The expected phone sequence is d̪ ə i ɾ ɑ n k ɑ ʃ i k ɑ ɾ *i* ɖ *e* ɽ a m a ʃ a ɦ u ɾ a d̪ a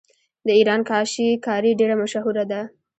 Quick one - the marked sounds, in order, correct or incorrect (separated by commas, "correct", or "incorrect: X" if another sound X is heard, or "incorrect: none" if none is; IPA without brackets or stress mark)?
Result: correct, correct